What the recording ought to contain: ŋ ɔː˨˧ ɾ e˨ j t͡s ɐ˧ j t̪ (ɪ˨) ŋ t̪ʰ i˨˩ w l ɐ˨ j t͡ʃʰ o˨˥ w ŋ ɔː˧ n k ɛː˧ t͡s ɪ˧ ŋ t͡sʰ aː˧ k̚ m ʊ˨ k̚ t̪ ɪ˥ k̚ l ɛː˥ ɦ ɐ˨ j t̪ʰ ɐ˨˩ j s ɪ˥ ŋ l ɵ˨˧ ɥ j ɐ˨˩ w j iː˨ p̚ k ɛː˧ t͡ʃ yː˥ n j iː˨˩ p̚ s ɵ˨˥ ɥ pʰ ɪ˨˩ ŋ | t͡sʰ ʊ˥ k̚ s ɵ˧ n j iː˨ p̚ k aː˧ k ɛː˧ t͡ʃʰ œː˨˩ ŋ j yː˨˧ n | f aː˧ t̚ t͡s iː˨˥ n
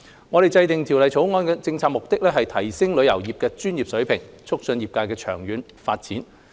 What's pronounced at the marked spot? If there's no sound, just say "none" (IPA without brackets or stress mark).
ɪ˨